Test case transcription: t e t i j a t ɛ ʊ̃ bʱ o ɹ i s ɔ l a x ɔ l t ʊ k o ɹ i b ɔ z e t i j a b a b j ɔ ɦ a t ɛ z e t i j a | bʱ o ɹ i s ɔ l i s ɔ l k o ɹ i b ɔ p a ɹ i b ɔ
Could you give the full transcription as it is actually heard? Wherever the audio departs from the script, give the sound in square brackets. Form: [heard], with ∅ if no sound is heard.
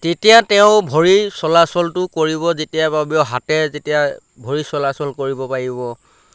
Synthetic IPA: t e t i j a t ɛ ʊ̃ bʱ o ɹ i s ɔ l a [s] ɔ l t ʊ k o ɹ i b ɔ z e t i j a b a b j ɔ ɦ a t ɛ z e t i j a | bʱ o ɹ i s ɔ l [a] s ɔ l k o ɹ i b ɔ p a ɹ i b ɔ